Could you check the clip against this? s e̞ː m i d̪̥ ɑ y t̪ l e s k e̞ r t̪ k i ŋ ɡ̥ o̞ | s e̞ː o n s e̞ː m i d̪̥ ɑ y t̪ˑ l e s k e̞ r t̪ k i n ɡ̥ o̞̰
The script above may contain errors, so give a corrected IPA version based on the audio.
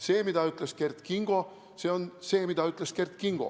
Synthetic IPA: s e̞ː m i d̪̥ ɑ y t̪ l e s k e̞ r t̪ k i ŋ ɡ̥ o̞ | s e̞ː o n s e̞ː m i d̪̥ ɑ y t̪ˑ l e s k e̞ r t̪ k i ŋ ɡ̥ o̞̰